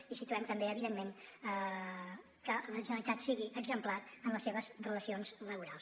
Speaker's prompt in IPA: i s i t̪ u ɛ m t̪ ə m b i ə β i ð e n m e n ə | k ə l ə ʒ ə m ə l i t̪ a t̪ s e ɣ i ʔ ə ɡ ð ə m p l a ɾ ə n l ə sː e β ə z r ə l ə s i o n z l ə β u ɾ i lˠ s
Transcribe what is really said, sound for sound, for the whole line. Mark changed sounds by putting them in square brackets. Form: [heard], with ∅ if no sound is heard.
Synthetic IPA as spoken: i s i t̪ u ɛ m t̪ ə m b [e] ə β i ð e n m e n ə | k ə l ə ʒ ə [n] ə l i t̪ a t̪ s [i] ɣ i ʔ ə ɡ [z] ə m p l a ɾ ə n l ə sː e β ə z r ə l ə s i o n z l ə β u ɾ [a] lˠ s